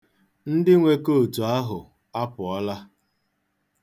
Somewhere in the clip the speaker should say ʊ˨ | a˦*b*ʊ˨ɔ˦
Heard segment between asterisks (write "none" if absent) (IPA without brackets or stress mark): p